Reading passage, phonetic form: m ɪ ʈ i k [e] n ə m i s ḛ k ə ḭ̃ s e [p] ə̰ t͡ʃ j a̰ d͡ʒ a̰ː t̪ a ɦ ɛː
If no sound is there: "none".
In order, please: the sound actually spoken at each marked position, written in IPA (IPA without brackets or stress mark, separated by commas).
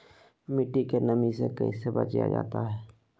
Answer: e, b